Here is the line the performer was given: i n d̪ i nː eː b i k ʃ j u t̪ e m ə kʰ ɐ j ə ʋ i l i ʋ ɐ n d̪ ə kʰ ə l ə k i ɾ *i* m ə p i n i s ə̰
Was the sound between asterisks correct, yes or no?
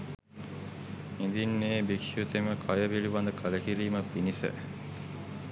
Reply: no